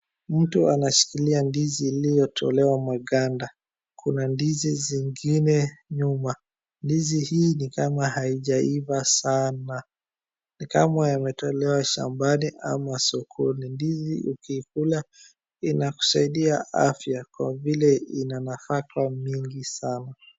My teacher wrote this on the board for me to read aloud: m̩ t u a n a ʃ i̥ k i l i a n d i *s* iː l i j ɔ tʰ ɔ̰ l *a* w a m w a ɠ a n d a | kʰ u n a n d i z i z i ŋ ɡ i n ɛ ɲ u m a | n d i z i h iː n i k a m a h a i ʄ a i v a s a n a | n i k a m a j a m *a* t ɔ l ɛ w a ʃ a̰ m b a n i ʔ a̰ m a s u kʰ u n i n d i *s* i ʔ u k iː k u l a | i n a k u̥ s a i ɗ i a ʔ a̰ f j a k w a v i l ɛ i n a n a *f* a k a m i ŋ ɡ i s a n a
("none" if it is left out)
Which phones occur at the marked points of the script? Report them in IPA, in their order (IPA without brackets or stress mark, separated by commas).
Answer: z, ɛ, ɛ, z, f